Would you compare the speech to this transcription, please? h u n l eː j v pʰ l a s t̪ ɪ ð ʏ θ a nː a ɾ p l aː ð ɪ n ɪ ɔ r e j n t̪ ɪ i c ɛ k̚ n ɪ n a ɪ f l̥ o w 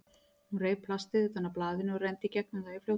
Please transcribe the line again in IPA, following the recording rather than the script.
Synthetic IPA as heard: h u n r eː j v pʰ l a s t̪ ɪ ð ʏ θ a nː a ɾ p l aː ð ɪ n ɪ ɔ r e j n t̪ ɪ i c ɛ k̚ n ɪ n a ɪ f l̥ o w